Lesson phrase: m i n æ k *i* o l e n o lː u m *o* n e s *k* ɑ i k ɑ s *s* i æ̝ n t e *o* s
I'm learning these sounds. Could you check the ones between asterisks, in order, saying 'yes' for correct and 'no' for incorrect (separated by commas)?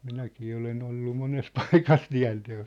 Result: no, yes, no, no, yes